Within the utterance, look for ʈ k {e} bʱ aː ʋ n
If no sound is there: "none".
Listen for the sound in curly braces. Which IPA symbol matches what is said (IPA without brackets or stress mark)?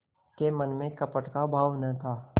a